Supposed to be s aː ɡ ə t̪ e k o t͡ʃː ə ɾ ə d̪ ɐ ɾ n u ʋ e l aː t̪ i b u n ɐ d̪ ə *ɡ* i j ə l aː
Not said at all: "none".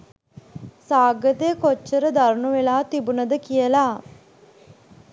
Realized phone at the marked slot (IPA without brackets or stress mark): k